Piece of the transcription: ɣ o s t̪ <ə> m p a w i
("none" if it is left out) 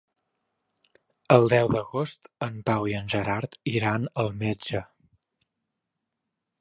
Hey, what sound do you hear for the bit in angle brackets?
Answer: ə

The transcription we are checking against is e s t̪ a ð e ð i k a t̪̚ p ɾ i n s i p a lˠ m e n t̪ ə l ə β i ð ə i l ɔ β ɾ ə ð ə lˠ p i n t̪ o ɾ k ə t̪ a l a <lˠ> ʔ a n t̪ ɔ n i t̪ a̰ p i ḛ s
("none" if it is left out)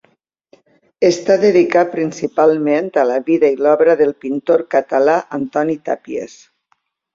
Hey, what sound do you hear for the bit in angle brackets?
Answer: none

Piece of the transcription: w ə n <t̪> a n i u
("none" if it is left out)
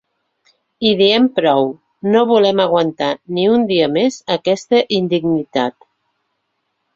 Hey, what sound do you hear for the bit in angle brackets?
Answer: t̪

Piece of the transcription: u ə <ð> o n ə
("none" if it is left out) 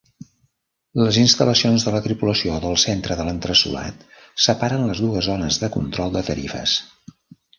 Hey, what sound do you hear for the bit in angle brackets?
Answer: z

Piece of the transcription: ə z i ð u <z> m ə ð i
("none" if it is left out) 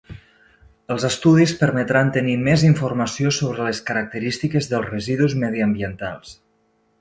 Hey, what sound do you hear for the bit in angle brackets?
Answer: z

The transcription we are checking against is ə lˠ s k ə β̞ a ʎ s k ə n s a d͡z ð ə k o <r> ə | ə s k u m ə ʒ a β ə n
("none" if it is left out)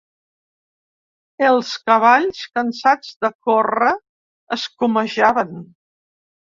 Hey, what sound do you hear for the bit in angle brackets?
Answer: r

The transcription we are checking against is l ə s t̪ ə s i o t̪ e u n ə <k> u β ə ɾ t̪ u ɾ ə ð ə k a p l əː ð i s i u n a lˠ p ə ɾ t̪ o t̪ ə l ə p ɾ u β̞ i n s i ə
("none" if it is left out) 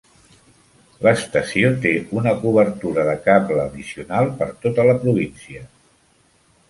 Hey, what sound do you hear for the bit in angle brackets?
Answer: k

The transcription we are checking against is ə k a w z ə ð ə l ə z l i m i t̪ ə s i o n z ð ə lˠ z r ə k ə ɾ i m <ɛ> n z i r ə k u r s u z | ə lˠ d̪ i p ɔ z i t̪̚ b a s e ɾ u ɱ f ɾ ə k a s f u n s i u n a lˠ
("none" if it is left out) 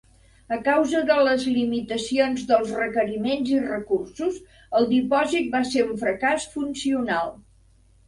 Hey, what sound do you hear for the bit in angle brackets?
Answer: e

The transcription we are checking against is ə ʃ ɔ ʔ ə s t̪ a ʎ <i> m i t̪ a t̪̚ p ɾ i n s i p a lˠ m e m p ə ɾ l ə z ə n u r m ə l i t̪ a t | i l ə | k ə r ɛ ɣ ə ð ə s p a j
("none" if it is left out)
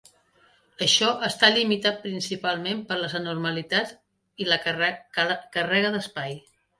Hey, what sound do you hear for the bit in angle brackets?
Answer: i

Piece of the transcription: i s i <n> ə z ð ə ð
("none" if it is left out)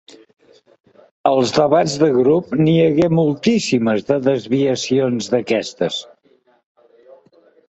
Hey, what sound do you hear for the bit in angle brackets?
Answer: m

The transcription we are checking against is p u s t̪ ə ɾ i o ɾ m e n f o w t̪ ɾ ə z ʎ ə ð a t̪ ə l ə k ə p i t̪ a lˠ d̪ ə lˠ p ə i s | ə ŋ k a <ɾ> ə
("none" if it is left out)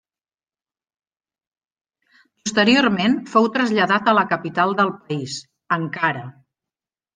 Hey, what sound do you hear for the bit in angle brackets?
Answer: ɾ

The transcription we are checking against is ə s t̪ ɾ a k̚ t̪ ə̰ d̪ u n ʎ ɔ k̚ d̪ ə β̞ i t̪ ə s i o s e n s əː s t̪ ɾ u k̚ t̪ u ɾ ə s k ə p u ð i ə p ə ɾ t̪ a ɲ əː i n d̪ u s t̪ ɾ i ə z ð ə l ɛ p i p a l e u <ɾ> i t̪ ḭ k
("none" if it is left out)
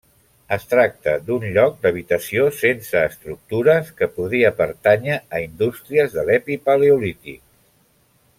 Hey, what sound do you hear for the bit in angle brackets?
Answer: l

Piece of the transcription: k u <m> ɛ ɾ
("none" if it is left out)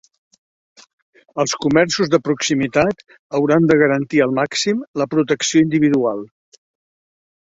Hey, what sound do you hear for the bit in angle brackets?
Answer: m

